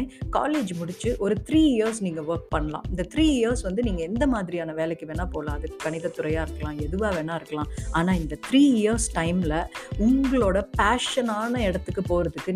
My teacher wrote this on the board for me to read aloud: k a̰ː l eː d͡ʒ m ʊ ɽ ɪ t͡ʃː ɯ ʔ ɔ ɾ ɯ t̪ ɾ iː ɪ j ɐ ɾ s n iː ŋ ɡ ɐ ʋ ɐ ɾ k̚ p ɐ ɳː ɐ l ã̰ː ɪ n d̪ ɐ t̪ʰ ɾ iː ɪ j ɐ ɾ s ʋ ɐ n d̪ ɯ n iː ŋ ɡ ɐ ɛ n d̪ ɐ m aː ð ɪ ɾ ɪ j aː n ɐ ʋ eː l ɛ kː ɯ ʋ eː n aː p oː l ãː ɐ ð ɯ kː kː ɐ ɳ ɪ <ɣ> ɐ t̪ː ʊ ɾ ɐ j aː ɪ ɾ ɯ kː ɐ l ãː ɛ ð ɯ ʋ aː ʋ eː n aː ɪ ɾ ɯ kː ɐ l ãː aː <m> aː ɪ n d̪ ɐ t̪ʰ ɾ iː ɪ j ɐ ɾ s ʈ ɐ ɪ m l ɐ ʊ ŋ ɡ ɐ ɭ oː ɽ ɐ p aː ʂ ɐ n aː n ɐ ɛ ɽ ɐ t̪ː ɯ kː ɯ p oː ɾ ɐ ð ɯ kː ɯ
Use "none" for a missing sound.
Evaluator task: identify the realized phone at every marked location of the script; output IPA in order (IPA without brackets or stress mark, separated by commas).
ð, n